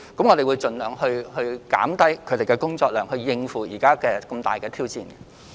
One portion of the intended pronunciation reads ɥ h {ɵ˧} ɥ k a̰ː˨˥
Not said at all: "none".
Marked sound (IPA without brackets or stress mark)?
ɵ˧